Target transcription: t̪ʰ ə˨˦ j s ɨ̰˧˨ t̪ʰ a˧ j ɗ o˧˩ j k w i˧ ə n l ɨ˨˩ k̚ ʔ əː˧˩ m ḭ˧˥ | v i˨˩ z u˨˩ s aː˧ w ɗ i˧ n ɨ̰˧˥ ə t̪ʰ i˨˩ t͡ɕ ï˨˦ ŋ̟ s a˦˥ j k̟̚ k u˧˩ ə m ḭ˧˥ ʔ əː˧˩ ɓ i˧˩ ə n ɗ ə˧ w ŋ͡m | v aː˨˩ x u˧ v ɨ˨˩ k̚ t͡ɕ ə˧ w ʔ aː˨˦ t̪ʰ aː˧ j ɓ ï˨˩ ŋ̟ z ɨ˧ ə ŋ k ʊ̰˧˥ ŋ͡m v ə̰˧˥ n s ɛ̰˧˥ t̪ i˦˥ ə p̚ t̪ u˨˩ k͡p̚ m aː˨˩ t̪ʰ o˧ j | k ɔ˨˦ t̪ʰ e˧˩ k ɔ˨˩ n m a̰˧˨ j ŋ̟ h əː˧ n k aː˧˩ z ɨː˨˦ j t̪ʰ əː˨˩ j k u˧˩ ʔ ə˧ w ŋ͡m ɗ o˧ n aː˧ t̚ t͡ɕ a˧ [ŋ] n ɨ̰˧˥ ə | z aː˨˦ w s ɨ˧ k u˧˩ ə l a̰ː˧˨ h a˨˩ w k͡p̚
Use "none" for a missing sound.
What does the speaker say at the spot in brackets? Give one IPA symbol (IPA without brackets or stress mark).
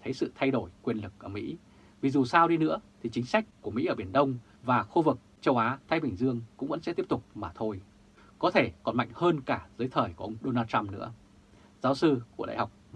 m